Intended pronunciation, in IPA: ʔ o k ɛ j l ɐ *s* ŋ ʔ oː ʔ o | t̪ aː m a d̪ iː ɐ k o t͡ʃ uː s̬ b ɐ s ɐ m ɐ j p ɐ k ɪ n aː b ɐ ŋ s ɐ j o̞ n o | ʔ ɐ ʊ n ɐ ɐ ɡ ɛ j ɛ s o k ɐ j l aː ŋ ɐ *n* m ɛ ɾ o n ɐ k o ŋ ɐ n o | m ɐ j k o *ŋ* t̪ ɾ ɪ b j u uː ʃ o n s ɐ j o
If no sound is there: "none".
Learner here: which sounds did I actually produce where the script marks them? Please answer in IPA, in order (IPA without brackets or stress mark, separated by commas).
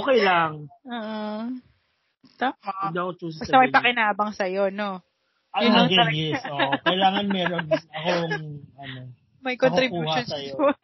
none, n, n